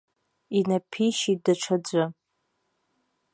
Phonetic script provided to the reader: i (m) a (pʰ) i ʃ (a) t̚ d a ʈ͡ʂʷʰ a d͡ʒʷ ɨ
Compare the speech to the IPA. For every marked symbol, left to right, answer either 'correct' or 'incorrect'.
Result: incorrect, correct, incorrect

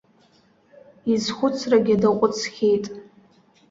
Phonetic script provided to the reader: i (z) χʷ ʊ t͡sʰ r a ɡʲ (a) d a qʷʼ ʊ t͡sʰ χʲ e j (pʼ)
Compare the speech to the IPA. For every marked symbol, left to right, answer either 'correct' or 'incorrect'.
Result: correct, correct, incorrect

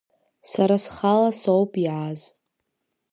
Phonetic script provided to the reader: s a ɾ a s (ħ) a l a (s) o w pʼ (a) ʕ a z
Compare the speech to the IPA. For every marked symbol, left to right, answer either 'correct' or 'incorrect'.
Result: incorrect, correct, incorrect

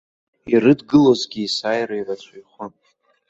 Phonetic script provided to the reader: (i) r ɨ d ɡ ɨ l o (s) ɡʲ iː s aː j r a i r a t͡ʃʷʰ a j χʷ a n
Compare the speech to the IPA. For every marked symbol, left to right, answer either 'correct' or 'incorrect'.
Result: correct, incorrect

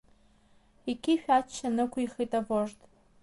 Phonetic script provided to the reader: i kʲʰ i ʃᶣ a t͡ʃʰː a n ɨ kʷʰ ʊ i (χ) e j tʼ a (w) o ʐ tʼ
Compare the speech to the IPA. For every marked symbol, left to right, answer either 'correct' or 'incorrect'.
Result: correct, incorrect

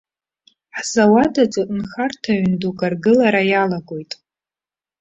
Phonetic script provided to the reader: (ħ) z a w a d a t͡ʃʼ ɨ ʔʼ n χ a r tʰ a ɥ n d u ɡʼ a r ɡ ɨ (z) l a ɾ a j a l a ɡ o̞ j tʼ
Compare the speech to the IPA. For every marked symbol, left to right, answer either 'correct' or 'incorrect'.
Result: correct, incorrect

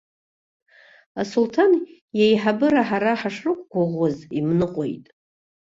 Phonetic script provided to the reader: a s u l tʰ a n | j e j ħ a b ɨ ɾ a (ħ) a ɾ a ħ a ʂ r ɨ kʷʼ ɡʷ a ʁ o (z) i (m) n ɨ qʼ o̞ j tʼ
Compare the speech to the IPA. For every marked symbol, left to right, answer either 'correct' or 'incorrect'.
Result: correct, correct, correct

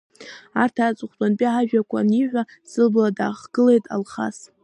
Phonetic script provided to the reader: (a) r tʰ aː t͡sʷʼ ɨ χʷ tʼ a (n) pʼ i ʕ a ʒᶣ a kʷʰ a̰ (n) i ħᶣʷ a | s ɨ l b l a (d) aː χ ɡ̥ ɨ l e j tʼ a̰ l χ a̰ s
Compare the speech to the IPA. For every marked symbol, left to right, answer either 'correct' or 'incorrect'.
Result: correct, correct, correct, correct

